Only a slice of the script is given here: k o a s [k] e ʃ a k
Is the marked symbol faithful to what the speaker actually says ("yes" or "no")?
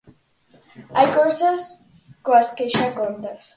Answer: yes